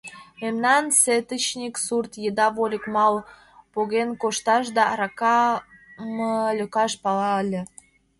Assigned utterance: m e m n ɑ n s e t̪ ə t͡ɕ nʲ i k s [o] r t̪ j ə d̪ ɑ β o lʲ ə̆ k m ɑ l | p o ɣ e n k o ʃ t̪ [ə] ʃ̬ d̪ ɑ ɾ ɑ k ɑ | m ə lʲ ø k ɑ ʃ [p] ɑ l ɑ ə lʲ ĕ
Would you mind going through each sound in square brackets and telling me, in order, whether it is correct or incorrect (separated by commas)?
incorrect, incorrect, correct